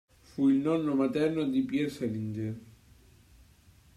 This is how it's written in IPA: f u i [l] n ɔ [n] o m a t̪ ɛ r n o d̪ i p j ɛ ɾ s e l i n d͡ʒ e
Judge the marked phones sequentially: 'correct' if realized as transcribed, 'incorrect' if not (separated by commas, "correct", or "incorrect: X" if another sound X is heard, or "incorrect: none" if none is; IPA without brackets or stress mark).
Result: correct, incorrect: nː